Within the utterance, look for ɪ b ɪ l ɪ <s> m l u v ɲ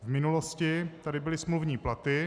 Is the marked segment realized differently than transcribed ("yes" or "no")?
no